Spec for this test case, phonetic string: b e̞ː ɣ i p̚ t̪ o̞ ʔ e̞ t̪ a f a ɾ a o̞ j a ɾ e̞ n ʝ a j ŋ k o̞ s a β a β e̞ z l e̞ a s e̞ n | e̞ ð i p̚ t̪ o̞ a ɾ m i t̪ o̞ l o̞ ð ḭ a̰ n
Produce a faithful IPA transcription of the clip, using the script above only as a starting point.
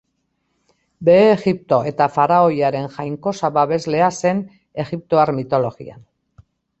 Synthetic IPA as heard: b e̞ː ɣ i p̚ t̪ o̞ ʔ e̞ t̪ a f a ɾ a o̞ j a ɾ e̞ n ʝ a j ŋ k o̞ s a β a β e̞ z l e̞ a s e̞ n | e̞ ɣ i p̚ t̪ o̞ a ɾ m i t̪ o̞ l o̞ ɣ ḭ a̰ n